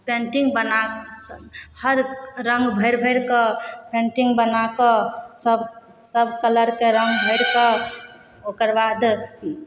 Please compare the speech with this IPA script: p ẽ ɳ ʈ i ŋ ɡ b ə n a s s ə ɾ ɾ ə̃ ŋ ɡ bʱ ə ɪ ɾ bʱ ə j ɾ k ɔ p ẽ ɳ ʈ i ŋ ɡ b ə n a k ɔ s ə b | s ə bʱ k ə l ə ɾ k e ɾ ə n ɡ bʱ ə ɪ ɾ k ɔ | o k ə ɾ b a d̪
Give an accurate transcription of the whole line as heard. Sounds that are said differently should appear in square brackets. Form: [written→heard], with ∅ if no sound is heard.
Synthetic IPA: p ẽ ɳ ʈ i ŋ ɡ b ə n a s [s→h] ə ɾ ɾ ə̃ ŋ ɡ bʱ ə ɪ ɾ bʱ ə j ɾ k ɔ p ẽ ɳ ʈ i ŋ ɡ b ə n a k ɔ s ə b | s ə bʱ k ə l ə ɾ k e ɾ ə [n→ŋ] ɡ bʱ ə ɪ ɾ k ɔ | o k ə ɾ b a d̪